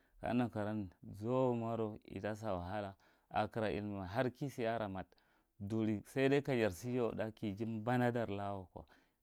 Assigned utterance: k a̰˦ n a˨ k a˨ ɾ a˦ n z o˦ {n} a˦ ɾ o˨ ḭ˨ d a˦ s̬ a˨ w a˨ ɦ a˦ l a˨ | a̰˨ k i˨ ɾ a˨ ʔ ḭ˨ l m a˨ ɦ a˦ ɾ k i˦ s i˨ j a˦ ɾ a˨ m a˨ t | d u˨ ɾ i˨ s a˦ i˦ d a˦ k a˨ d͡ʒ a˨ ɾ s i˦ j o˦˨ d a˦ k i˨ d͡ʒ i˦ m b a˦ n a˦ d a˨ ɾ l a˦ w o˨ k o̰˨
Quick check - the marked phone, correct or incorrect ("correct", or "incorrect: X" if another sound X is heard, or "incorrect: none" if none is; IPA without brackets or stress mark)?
incorrect: m